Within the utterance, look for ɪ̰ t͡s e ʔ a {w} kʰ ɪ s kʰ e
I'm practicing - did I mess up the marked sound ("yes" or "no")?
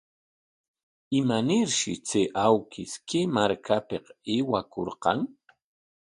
no